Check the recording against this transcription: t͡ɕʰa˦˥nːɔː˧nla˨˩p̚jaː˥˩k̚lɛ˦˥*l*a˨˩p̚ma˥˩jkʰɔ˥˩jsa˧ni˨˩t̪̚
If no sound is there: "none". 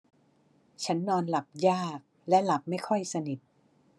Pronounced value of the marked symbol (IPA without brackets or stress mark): l